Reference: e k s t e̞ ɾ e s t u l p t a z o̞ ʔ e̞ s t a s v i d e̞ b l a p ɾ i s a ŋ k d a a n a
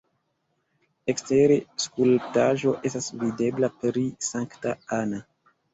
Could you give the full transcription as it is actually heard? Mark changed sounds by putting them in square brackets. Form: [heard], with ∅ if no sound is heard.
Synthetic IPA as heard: e k s t e̞ ɾ e s [k] u l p t a [ʒ] o̞ ʔ e̞ s t a s v i d e̞ b l a p ɾ i s a ŋ k [t] a a n a